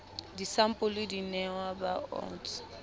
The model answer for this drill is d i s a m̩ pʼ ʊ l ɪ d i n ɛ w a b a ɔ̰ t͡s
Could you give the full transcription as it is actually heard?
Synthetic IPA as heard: d i s a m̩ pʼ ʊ l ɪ d i n ɛ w a b a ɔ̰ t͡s